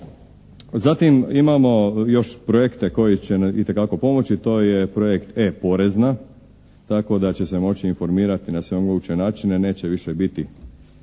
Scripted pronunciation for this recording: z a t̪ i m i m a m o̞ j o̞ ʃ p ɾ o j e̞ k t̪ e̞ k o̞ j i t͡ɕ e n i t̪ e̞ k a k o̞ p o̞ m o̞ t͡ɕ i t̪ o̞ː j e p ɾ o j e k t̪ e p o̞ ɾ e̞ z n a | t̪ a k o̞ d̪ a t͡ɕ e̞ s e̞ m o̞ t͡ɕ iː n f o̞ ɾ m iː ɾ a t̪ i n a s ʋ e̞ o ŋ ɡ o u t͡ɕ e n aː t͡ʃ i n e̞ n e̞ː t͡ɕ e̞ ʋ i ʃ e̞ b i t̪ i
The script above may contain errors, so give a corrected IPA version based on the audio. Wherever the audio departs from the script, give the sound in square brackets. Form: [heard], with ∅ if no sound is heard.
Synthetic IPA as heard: z a t̪ i m i m a m o̞ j o̞ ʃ p ɾ o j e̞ k t̪ e̞ k o̞ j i t͡ɕ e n i t̪ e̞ k a k o̞ p o̞ m o̞ t͡ɕ i t̪ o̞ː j e p ɾ o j e k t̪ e p o̞ ɾ e̞ z n a | t̪ a k o̞ d̪ a t͡ɕ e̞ s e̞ m o̞ t͡ɕ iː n f o̞ ɾ m iː ɾ a t̪ i n a s ʋ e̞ o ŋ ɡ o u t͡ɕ e n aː t͡ʃ i n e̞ n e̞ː t͡ɕ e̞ ʋ i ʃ e̞ b i t̪ i